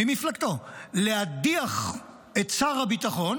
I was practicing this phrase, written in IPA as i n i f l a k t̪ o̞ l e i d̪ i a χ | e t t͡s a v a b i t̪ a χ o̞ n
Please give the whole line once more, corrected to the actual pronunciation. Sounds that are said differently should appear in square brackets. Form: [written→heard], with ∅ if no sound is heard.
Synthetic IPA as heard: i [n→m] i f l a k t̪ o̞ l e [i→a] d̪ i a χ | e t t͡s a [v→ʁ] a b i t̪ a χ o̞ n